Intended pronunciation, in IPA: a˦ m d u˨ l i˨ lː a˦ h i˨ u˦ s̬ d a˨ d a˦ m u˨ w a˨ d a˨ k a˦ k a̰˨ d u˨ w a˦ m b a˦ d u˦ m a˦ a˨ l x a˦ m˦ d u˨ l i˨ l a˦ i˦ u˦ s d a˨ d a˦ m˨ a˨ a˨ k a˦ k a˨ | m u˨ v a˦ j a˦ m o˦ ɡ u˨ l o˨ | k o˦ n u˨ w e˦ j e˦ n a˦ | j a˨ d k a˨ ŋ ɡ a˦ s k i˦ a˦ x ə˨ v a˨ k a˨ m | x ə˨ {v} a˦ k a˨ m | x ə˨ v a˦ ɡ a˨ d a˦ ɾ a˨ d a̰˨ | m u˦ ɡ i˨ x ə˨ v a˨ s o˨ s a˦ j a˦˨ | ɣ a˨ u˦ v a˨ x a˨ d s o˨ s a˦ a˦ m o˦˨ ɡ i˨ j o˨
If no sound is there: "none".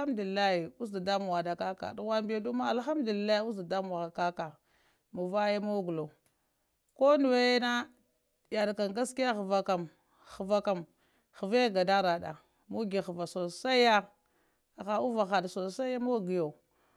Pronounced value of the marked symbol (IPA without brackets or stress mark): v